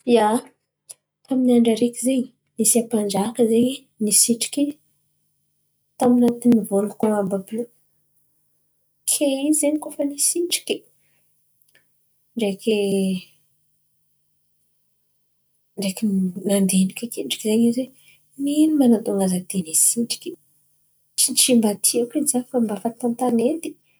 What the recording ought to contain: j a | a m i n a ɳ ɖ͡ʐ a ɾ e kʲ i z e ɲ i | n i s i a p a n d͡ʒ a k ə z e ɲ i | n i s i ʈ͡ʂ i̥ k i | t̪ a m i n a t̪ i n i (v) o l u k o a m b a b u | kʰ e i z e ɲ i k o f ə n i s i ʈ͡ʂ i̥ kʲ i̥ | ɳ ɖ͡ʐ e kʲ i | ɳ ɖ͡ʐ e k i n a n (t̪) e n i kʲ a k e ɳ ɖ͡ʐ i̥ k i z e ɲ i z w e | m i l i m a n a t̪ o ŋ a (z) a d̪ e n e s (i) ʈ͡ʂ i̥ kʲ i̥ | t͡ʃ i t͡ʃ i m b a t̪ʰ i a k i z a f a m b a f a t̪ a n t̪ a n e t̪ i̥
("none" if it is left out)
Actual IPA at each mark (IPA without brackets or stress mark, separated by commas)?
v, d̪, z, i